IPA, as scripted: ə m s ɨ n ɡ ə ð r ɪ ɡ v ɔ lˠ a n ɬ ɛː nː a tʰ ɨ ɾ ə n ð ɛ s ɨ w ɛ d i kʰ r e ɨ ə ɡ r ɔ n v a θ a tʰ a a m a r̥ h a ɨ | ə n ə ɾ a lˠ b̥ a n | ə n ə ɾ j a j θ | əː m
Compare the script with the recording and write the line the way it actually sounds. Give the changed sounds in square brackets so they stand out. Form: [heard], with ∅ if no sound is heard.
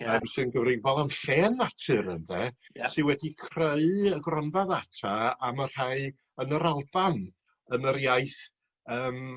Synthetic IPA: ə m s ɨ n ɡ ə [v] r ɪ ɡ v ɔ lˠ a n ɬ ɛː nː a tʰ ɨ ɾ ə n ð ɛ s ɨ w ɛ d i kʰ r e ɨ ə ɡ r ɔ n v a [ð] a tʰ a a m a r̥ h a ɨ | ə n ə ɾ a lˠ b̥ a n | ə n ə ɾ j a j θ | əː m